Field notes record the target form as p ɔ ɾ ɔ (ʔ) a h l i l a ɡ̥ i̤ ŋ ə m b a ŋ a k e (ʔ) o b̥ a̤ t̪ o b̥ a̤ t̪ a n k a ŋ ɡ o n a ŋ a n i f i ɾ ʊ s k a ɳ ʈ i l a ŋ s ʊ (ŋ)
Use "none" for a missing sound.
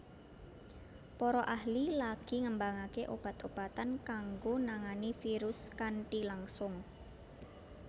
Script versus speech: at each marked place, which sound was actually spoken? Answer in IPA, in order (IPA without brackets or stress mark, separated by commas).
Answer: ʔ, ʔ, ŋ